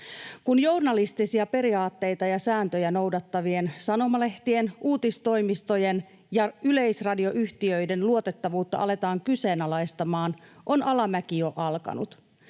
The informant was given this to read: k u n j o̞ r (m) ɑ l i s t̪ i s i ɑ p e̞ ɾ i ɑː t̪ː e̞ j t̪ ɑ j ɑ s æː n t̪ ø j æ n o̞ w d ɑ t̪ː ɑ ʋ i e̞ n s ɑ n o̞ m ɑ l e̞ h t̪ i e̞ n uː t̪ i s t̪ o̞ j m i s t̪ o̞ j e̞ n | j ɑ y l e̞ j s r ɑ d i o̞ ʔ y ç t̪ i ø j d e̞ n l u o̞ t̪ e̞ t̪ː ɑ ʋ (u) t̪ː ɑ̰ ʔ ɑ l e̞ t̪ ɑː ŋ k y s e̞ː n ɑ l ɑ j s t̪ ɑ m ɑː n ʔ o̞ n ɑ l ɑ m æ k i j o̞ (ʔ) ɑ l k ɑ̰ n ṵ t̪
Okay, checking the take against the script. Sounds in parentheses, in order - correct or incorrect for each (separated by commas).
incorrect, incorrect, correct